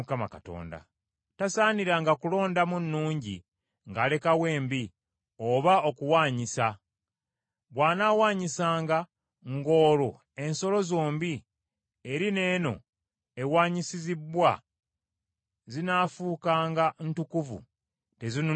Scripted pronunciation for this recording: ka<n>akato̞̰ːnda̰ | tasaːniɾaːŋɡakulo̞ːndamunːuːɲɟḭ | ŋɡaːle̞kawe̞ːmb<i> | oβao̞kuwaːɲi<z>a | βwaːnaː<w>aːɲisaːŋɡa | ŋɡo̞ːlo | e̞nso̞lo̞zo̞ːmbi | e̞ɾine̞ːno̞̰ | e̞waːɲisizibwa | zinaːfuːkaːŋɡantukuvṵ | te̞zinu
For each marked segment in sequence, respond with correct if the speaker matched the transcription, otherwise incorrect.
incorrect, correct, incorrect, correct

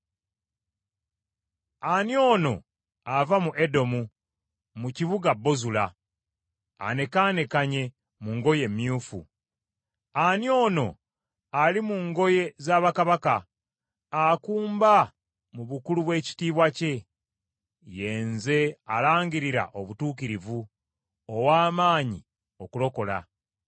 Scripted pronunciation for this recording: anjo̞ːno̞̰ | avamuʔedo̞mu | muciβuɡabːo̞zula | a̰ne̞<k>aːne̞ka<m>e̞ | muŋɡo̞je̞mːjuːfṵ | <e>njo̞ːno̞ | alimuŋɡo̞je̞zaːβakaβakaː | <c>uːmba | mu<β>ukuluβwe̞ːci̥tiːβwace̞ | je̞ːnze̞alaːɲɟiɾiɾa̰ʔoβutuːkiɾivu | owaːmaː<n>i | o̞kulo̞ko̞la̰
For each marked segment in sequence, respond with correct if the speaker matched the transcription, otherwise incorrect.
correct, incorrect, incorrect, incorrect, correct, incorrect

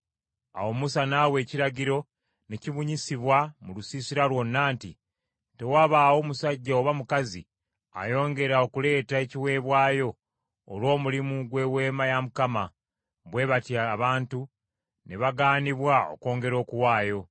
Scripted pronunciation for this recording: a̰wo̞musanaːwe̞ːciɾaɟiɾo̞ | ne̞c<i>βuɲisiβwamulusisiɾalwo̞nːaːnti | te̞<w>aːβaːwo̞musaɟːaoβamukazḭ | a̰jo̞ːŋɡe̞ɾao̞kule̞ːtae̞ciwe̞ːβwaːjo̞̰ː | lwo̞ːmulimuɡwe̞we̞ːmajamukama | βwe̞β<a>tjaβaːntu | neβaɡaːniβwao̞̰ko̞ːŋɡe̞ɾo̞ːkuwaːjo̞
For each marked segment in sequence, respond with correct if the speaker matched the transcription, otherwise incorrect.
correct, correct, correct

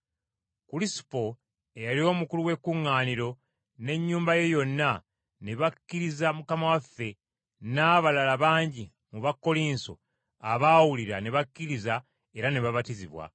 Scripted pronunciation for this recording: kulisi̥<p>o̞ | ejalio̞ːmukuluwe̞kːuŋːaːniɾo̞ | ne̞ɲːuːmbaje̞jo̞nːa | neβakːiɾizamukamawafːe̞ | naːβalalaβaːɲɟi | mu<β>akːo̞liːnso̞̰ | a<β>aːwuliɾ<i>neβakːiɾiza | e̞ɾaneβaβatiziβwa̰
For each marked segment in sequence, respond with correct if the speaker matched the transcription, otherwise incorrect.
correct, correct, correct, incorrect

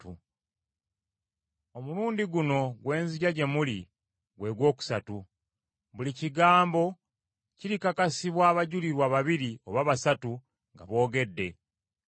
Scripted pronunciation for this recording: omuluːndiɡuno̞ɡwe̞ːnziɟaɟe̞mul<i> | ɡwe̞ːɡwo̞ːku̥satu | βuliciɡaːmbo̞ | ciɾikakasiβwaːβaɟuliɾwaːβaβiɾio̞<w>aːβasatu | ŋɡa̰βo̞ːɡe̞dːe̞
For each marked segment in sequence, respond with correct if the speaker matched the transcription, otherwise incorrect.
correct, incorrect

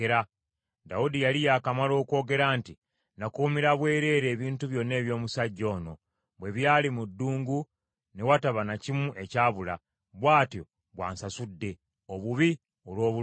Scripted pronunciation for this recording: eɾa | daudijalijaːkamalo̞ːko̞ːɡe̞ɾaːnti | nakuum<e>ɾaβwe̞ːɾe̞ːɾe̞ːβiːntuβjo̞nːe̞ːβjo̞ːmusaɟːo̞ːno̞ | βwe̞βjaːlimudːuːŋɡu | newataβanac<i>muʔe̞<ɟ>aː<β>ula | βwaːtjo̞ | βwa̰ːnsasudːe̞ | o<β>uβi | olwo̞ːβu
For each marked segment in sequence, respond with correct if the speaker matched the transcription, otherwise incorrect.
incorrect, correct, incorrect, correct, correct

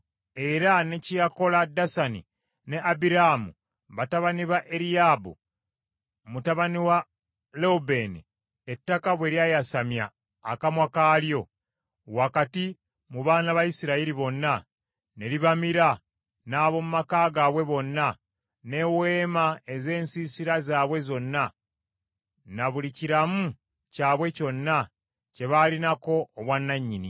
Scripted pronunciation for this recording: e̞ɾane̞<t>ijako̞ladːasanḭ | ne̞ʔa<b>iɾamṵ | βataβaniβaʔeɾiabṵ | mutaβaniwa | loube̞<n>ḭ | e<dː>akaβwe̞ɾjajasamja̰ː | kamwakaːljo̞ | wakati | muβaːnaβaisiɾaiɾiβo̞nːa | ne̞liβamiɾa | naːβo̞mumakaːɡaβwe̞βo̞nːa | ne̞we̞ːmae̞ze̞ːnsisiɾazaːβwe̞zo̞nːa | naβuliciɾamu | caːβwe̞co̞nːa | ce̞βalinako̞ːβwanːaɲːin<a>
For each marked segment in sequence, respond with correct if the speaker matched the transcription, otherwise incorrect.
incorrect, correct, correct, incorrect, incorrect

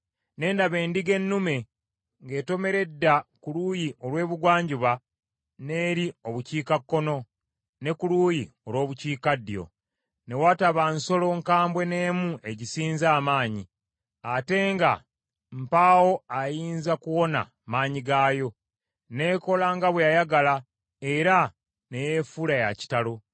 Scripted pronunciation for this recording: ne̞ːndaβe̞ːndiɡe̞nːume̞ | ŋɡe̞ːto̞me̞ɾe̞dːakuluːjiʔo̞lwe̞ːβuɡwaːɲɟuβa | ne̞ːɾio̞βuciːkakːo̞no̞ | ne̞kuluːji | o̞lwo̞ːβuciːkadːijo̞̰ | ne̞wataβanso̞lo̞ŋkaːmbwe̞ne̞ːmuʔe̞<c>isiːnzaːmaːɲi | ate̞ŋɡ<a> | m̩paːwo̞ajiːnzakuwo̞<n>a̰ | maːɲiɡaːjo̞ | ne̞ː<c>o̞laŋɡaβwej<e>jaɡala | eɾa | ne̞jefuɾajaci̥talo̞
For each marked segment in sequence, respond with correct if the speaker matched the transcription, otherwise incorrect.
incorrect, correct, correct, incorrect, incorrect

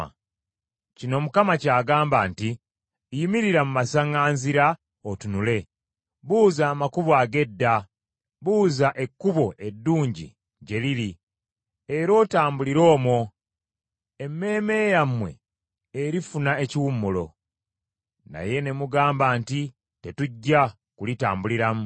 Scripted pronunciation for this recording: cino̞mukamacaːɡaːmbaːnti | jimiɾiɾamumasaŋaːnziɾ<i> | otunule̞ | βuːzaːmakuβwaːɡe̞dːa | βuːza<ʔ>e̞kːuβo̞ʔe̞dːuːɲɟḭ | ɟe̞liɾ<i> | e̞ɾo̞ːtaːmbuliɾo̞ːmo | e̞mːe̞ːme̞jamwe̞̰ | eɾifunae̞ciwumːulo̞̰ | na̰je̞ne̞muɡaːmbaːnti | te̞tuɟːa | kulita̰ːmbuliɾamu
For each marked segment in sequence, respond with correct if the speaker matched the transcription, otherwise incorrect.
incorrect, correct, correct

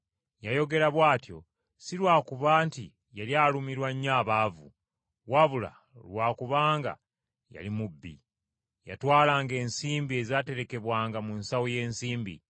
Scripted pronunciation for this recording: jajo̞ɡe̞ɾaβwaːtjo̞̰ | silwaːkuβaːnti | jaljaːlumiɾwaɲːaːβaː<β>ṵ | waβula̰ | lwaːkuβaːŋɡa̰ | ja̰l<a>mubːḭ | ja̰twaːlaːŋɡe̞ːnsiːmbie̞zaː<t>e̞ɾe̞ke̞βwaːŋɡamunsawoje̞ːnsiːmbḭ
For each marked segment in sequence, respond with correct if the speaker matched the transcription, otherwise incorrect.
incorrect, incorrect, correct

